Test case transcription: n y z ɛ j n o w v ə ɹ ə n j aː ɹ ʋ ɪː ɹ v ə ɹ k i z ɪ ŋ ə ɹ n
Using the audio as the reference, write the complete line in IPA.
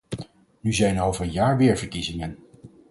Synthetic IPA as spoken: n y z ɛ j n o w v ə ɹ ə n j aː ɹ ʋ ɪː ɹ v ə ɹ k i z ɪ ŋ ə n